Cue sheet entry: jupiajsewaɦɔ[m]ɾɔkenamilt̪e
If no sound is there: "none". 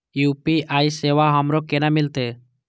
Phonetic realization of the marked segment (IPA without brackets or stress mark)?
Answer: m